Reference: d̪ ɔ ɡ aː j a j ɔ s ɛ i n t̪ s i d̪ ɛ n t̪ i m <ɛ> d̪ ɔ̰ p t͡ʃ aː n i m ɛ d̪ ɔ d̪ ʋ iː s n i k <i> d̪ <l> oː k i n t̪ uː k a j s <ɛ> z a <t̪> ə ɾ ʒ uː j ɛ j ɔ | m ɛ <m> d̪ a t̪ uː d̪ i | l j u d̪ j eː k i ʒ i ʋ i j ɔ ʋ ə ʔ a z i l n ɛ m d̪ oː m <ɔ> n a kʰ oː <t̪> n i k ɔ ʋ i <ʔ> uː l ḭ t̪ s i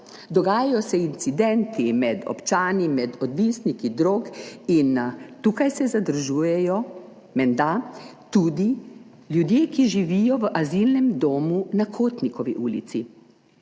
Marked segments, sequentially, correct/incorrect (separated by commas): correct, correct, incorrect, correct, incorrect, incorrect, incorrect, correct, correct